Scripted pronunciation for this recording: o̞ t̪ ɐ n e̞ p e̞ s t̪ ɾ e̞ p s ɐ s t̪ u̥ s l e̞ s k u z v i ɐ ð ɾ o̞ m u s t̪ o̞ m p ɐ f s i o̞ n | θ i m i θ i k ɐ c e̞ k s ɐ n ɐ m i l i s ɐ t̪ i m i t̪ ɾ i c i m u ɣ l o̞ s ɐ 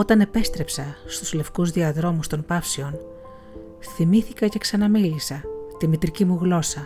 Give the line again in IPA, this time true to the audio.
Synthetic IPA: o̞ t̪ ɐ n e̞ p e̞ s t̪ ɾ e̞ p s ɐ s t̪ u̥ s l e̞ f k u z ð i ɐ ð ɾ o̞ m u s t̪ o̞ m p ɐ f s i o̞ n | θ i m i θ i k ɐ c e̞ k s ɐ n ɐ m i l i s ɐ t̪ i m i t̪ ɾ i c i m u ɣ l o̞ s ɐ